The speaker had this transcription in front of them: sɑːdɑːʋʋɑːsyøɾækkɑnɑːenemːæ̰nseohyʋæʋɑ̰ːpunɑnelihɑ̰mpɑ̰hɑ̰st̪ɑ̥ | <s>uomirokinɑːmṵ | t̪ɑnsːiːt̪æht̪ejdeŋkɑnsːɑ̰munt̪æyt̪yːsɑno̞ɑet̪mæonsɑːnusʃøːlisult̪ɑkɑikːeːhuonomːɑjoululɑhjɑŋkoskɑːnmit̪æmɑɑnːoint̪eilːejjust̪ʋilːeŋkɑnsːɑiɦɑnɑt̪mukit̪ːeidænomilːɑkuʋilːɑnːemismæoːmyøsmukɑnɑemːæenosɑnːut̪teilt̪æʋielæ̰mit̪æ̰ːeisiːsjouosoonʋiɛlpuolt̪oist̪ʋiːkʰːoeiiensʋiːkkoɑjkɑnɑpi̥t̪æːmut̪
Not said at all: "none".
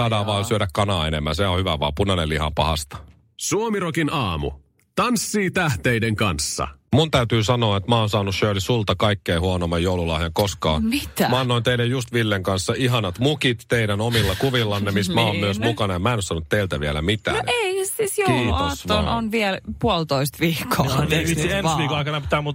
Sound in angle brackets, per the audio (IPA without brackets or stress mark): s